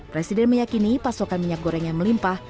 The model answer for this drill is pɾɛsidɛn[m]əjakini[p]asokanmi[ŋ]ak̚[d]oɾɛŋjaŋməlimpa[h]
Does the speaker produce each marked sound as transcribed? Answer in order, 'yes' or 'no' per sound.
yes, yes, no, no, yes

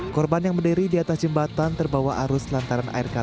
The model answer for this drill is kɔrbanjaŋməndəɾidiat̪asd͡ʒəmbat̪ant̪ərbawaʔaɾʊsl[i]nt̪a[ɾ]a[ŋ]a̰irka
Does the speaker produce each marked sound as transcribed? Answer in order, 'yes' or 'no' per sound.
no, yes, no

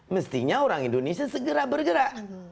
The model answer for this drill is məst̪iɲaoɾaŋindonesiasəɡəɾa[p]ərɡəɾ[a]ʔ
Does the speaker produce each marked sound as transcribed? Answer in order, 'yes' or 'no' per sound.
no, yes

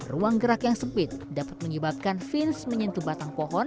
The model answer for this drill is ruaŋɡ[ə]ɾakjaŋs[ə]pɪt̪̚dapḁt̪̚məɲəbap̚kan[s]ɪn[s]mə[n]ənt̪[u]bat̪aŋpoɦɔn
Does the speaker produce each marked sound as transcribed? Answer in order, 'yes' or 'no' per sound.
yes, yes, no, yes, no, yes

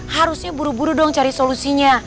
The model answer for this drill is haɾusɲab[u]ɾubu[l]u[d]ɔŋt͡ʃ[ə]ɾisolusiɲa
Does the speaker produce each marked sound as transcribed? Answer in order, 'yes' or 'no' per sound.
yes, no, yes, no

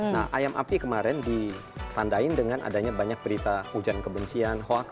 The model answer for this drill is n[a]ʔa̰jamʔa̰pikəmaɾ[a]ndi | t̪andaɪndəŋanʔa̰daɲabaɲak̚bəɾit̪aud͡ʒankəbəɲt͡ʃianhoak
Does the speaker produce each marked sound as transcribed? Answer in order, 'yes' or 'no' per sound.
yes, no

